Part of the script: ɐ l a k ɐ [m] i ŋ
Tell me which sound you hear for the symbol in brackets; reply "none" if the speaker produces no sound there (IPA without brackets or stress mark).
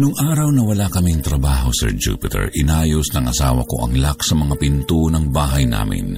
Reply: m